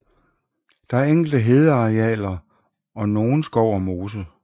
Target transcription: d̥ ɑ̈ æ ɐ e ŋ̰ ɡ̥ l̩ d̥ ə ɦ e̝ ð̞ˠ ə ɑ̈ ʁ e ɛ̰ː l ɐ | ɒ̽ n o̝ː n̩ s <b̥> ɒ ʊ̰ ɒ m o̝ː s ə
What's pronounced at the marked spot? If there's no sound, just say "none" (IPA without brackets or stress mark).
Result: ɡ̥